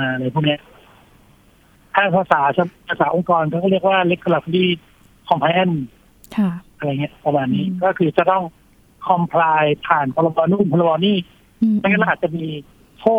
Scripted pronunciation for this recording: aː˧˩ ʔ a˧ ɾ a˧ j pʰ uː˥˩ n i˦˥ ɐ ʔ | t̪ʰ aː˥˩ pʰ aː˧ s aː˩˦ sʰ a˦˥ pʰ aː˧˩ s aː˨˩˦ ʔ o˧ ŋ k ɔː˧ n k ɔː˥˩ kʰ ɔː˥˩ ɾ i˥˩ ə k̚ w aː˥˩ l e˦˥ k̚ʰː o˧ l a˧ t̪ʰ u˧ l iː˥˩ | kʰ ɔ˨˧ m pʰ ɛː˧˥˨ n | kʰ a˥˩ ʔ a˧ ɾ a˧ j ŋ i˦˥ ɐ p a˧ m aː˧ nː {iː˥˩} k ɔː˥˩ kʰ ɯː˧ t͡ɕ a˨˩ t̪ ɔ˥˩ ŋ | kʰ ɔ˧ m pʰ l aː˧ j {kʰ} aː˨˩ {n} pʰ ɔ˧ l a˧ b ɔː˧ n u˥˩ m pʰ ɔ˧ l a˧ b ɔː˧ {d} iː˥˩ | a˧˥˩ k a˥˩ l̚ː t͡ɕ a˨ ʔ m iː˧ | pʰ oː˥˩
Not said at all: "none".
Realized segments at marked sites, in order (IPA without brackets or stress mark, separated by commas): iː˦˥, pʰ, n, n